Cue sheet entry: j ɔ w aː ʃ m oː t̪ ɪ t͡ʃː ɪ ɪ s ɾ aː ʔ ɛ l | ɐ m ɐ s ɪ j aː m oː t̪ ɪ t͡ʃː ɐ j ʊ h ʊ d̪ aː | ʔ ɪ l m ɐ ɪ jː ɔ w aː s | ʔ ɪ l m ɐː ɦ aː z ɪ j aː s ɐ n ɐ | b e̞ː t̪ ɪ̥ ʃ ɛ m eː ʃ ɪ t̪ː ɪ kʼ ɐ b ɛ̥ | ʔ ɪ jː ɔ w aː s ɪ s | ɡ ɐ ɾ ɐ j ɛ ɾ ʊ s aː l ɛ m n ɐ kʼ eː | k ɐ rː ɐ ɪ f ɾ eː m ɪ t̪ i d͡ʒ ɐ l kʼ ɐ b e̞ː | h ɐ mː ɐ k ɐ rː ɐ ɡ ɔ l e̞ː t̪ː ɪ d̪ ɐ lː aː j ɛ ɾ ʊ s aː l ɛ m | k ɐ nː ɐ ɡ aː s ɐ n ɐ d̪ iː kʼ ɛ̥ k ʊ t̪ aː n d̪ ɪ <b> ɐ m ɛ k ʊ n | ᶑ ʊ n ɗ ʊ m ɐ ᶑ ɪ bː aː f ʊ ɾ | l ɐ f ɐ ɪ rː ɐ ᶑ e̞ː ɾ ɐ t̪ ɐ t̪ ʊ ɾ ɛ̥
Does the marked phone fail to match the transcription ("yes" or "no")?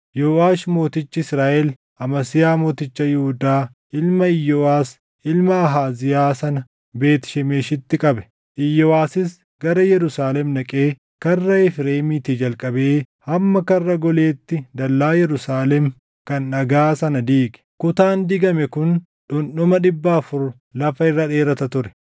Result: yes